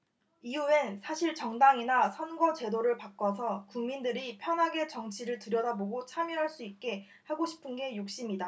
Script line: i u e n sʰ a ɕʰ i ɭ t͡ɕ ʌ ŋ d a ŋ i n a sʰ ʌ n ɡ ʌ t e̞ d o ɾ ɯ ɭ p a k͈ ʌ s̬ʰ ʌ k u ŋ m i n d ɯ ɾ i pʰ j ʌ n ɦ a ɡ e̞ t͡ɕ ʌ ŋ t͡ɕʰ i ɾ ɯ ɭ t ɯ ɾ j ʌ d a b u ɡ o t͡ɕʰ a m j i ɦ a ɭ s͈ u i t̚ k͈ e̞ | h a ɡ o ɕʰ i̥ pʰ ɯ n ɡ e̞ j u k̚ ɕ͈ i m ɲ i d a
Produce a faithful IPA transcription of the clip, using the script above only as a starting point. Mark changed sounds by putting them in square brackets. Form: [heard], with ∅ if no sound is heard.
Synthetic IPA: i u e n sʰ a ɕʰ i ɭ t͡ɕ ʌ ŋ d a ŋ i n a sʰ ʌ n ɡ ʌ [t͡ɕ] e̞ d o ɾ ɯ ɭ p a k͈ ʌ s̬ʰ ʌ k u ŋ m i n d ɯ ɾ i pʰ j ʌ n ɦ a ɡ e̞ t͡ɕ ʌ ŋ t͡ɕʰ i ɾ ɯ ɭ t ɯ ɾ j ʌ d a b [o] ɡ o t͡ɕʰ a m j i ɦ a ɭ s͈ u i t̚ k͈ e̞ | h a ɡ o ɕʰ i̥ pʰ ɯ n ɡ e̞ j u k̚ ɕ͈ i m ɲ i d a